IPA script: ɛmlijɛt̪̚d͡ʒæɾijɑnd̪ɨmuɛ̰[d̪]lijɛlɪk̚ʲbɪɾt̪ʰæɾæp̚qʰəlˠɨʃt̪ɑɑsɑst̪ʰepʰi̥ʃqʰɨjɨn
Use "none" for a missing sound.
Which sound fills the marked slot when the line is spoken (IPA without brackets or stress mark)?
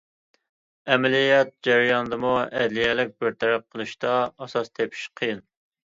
d̪